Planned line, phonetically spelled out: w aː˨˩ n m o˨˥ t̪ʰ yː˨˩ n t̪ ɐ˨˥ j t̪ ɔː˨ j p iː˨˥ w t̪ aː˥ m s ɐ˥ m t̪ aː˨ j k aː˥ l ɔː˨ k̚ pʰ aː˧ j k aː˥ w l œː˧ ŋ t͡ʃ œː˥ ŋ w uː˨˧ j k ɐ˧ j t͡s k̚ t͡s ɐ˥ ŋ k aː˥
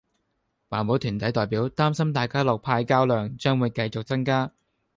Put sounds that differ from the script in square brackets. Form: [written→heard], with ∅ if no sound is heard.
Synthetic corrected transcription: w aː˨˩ n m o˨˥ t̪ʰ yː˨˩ n t̪ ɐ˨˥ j t̪ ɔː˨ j p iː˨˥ w t̪ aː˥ m s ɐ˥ m t̪ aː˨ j k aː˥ l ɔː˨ k̚ pʰ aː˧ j k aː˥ w l œː˧ ŋ t͡ʃ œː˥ ŋ w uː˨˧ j k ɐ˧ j t͡s k̚ t͡s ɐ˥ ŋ k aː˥